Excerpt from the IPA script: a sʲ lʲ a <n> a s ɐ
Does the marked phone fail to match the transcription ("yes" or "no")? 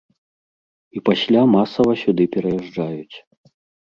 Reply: yes